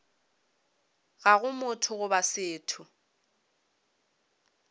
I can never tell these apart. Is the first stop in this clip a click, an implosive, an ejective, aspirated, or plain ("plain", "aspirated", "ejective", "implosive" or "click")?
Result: aspirated